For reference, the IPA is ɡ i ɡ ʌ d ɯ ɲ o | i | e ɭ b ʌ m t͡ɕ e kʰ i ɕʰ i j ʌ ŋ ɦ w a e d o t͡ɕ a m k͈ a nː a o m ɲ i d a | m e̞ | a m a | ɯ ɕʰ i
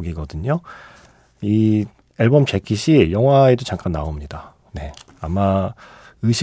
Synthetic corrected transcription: ɡ i ɡ ʌ d ɯ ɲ o | i | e ɭ b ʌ m t͡ɕ e kʰ i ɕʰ i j ʌ ŋ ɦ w a e d o t͡ɕ a ŋ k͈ a nː a o m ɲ i d a | n e̞ | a m a | ɯ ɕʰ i